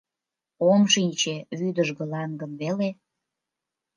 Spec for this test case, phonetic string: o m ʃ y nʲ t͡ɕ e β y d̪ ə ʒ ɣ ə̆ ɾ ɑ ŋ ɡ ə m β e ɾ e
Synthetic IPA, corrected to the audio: o m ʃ i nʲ t͡ɕ e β y d̪ ə ʒ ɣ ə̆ l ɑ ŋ ɡ ə m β e l e